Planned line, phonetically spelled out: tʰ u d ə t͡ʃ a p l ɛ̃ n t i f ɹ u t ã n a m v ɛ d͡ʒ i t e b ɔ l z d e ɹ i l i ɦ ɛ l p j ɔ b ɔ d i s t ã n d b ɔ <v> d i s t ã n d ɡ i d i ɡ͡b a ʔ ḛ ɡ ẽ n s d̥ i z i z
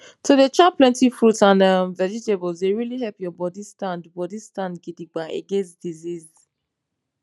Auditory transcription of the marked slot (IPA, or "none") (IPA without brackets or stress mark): none